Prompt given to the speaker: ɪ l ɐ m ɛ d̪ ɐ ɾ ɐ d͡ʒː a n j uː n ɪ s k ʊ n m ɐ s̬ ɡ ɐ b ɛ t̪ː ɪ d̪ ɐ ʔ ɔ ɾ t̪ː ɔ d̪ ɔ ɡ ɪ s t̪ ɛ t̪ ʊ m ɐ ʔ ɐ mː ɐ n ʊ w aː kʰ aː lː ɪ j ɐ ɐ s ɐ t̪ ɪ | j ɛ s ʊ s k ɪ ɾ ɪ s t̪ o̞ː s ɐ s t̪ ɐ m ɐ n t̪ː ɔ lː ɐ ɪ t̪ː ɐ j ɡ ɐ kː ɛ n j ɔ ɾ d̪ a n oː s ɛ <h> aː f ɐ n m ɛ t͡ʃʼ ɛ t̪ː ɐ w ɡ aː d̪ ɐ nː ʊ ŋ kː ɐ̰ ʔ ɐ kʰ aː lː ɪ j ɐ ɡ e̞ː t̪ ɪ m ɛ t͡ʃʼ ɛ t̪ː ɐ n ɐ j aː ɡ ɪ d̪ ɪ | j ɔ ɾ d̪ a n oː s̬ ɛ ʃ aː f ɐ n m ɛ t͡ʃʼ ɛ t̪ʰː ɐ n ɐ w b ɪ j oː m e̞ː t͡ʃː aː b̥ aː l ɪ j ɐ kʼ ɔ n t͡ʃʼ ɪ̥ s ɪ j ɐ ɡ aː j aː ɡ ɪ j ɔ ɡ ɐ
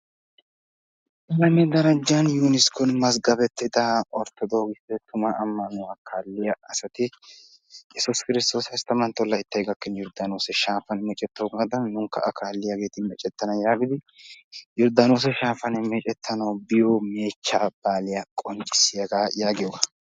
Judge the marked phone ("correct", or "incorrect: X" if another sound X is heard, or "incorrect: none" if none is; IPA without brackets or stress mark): incorrect: ʃ